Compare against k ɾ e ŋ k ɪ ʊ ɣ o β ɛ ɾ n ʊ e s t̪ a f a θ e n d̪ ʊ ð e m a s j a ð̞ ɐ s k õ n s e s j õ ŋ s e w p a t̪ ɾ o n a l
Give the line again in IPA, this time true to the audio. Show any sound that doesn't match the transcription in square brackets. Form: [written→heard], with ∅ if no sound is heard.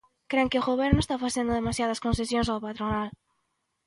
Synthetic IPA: k ɾ e ŋ k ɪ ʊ ɣ o β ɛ ɾ n ʊ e s t̪ a f a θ e n d̪ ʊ ð e m a s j a ð̞ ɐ s k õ n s e s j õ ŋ s [e→a] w p a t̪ ɾ o n a l